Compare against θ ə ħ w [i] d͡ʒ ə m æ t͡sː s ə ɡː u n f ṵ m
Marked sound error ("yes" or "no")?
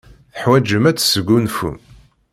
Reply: yes